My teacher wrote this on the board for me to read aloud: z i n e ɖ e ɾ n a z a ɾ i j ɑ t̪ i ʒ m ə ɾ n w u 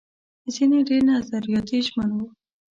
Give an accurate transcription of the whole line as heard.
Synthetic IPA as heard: z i n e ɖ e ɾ n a z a ɾ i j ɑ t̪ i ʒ m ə n w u